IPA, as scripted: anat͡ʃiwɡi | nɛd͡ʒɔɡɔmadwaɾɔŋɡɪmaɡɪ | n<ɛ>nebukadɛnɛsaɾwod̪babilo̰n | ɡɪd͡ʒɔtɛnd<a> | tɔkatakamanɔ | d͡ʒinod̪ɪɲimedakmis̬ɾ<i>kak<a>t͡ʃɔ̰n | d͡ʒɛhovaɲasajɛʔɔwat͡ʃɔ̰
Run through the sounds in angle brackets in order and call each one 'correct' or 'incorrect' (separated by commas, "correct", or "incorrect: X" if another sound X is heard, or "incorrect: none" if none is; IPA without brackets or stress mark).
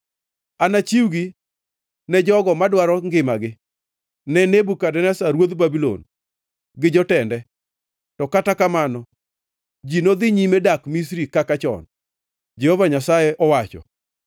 correct, incorrect: ɛ, correct, correct